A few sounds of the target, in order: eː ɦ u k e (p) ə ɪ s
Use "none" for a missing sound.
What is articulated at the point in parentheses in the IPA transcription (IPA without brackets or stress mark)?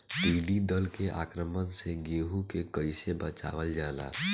k